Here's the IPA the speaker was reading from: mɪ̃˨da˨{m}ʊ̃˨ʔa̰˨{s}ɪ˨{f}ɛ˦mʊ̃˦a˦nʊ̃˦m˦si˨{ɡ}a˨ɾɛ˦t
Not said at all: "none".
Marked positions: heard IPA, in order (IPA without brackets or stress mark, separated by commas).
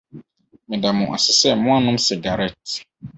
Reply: m, s, s, ɡ